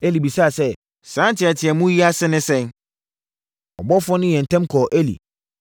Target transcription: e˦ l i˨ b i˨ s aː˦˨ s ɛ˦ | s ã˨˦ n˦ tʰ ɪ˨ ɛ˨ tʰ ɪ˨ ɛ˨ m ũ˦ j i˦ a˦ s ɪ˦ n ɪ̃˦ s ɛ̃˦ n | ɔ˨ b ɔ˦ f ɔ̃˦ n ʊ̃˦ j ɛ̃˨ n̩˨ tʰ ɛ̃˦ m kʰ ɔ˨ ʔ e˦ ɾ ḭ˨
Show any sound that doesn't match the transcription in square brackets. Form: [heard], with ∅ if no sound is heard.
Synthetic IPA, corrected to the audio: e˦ l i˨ b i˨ s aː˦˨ s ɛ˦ | s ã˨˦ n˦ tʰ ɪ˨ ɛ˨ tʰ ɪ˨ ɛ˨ m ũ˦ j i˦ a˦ s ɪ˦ n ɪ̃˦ s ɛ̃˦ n | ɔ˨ b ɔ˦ f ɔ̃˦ n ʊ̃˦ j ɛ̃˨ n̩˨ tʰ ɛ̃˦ m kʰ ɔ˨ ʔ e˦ [l] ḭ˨